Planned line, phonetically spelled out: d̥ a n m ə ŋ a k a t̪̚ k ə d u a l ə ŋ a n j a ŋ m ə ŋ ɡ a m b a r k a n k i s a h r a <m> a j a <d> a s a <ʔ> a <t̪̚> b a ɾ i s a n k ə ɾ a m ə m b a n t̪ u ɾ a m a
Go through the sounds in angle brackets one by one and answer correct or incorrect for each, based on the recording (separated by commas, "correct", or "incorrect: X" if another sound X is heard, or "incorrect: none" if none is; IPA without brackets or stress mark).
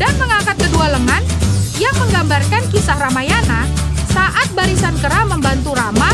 correct, incorrect: n, correct, correct